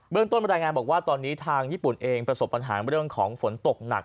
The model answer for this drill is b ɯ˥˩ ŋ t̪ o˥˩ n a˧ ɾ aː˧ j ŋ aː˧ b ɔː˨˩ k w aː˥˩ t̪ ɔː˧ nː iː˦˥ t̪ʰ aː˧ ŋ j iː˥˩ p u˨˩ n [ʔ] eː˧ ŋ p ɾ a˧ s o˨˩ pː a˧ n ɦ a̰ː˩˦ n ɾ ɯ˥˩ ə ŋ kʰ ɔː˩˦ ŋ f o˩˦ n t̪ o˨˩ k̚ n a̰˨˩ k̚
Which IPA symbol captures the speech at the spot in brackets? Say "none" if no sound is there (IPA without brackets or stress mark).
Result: ʔ